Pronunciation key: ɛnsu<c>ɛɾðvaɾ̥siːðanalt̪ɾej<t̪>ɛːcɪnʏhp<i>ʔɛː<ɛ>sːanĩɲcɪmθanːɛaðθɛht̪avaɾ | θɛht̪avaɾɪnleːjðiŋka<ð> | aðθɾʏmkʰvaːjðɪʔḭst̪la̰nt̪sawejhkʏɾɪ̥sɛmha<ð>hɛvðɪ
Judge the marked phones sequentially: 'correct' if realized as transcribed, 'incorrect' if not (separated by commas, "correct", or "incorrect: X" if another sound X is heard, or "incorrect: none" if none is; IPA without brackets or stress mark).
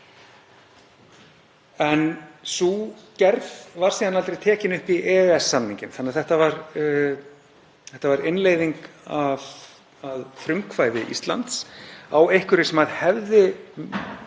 correct, incorrect: t̪ʰ, correct, correct, incorrect: v, correct